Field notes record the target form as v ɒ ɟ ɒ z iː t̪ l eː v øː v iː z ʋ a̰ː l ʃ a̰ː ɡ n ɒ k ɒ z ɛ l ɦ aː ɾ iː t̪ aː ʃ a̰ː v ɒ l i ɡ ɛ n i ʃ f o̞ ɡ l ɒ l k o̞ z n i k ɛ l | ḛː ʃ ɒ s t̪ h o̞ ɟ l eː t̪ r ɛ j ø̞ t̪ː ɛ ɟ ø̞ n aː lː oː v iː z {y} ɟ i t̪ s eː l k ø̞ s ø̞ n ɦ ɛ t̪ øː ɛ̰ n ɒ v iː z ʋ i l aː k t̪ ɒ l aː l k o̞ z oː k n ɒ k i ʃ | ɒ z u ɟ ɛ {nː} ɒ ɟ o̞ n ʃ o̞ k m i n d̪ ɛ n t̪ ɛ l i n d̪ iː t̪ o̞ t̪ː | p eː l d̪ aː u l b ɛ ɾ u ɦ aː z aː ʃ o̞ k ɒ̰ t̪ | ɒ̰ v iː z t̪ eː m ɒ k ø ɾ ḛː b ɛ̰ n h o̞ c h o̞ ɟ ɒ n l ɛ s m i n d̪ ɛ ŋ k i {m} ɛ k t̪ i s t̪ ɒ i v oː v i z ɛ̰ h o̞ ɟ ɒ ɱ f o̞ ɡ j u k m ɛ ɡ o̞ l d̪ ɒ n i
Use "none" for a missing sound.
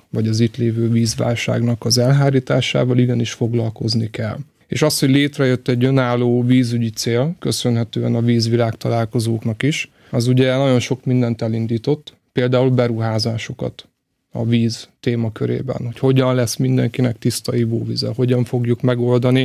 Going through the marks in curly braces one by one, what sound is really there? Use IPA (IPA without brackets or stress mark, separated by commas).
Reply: y, n, n